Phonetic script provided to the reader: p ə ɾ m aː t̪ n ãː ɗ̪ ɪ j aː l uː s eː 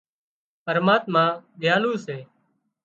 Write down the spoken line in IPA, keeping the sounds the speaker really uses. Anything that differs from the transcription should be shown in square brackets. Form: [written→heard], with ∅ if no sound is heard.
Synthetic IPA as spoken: p ə ɾ m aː t̪ [n→m] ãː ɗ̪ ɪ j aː l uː s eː